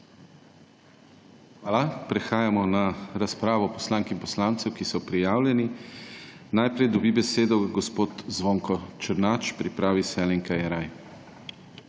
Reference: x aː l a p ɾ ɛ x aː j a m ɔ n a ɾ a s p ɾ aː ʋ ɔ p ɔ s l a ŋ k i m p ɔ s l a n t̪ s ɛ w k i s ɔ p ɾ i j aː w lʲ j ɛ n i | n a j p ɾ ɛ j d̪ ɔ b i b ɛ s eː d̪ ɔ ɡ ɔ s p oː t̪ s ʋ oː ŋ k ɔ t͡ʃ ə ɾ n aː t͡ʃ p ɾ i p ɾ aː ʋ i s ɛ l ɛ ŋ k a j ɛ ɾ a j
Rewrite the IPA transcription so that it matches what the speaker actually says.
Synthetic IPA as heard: x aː l a p ɾ ɛ x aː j a m ɔ n a ɾ a s p ɾ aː ʋ ɔ p ɔ s l a ŋ k i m p ɔ s l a n t̪ s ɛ w k i s ɔ p ɾ i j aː w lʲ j ɛ n i | n a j p ɾ ɛ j d̪ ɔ b i b ɛ s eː d̪ ɔ ɡ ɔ s p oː t̪ z ʋ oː ŋ k ɔ t͡ʃ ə ɾ n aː t͡ʃ p ɾ i p ɾ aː ʋ i s ɛ l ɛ ŋ k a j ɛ ɾ a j